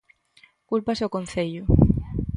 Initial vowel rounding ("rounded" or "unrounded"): rounded